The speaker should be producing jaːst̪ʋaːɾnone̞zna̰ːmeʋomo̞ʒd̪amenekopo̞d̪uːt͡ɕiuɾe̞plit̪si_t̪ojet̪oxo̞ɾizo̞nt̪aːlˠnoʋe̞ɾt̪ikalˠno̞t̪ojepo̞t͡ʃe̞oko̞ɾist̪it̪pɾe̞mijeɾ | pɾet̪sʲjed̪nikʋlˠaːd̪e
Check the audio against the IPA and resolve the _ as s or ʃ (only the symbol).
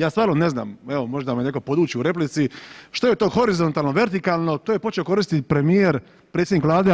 ʃ